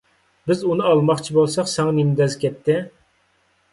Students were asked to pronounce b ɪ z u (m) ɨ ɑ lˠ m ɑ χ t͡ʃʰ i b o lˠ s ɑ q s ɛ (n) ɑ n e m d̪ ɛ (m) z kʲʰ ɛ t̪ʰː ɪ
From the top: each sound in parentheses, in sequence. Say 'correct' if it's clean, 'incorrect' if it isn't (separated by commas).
incorrect, incorrect, incorrect